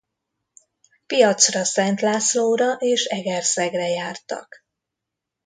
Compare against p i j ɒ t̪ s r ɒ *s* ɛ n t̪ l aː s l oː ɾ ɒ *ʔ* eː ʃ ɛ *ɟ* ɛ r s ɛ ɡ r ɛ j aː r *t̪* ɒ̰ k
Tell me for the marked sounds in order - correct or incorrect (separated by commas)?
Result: correct, correct, incorrect, correct